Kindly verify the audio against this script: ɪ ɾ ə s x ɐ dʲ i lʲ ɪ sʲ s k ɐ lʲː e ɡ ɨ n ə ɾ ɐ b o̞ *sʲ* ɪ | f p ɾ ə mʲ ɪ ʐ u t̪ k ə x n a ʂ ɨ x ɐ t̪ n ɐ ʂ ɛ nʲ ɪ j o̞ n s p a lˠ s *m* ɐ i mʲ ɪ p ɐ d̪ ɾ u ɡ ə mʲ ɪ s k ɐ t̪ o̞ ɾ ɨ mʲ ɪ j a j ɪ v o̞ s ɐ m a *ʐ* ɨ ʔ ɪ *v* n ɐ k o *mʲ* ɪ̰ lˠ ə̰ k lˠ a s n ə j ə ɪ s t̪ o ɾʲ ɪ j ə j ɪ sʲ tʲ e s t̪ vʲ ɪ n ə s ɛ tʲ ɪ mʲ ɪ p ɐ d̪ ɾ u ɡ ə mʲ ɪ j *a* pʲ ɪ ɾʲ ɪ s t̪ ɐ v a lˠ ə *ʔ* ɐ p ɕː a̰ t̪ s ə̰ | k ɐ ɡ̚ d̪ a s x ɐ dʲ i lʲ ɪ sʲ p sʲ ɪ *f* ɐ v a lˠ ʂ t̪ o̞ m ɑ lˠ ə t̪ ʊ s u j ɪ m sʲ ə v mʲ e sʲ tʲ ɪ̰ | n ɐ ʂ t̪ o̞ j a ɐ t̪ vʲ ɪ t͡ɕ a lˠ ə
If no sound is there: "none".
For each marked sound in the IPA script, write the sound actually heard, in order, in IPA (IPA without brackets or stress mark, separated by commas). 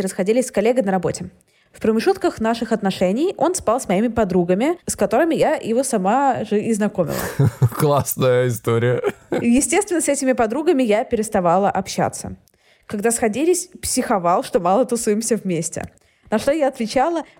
tʲ, m, ʐ, z, mʲ, a, ʔ, x